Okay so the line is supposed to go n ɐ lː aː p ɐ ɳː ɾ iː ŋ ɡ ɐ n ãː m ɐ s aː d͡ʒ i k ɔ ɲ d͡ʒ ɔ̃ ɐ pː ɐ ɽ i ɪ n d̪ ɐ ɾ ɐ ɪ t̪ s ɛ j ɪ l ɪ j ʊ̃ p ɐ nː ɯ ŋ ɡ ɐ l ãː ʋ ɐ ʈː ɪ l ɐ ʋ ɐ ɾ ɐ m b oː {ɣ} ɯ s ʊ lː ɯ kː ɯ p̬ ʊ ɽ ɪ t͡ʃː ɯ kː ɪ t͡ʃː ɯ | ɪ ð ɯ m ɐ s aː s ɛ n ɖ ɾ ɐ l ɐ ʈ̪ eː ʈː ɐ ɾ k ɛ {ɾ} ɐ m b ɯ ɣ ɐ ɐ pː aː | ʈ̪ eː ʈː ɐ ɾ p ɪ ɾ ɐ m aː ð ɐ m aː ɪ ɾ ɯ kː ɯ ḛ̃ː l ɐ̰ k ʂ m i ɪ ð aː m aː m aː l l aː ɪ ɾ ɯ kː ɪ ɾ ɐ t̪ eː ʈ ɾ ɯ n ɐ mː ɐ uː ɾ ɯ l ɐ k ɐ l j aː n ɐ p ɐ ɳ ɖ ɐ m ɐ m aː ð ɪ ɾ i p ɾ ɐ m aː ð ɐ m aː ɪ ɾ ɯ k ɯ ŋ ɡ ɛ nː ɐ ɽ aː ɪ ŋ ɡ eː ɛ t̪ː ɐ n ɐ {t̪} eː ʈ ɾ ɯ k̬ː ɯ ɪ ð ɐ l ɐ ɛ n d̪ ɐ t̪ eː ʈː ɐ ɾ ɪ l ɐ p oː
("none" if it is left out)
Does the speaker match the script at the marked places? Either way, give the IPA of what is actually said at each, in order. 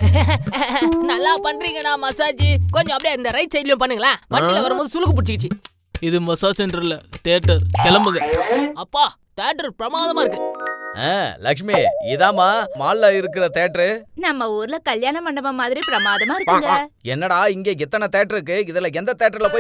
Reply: ð, l, t̪

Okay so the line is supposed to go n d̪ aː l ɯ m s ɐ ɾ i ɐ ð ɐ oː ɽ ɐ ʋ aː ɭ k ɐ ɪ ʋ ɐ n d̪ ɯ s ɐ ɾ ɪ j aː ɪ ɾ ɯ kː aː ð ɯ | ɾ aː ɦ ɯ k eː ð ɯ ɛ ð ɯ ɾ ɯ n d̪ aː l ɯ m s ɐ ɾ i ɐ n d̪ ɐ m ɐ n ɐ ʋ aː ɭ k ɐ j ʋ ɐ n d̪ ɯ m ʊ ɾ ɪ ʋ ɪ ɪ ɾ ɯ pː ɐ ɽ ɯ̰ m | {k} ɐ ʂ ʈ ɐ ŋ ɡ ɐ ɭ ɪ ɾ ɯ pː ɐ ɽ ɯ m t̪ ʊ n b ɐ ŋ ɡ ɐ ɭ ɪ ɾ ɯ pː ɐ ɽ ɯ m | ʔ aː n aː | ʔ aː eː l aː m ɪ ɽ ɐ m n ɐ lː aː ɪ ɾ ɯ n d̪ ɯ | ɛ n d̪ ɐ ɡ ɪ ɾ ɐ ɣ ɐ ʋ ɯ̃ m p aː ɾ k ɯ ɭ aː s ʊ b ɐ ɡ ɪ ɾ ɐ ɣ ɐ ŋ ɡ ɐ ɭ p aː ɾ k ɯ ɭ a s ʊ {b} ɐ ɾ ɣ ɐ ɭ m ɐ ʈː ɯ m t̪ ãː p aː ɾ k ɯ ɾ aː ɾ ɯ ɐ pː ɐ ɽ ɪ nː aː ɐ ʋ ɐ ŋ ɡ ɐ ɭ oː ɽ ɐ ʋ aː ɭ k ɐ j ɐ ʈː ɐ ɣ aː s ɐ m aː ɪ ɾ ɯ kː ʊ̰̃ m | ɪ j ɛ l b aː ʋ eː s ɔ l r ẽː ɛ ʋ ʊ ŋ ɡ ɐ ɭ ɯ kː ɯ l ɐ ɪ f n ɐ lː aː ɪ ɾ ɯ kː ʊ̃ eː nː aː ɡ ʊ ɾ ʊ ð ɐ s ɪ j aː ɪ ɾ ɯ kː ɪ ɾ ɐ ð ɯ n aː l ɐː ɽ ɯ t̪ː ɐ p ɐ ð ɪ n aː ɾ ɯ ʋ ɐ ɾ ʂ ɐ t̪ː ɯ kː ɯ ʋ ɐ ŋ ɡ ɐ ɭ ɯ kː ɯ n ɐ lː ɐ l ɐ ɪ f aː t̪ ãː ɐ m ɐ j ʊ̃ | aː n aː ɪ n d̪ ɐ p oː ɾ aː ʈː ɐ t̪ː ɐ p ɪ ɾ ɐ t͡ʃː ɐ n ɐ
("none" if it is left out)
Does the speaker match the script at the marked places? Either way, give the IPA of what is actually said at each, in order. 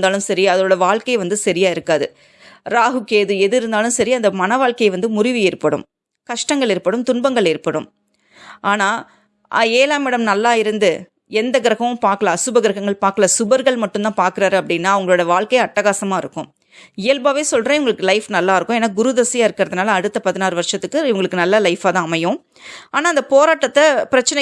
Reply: k, b

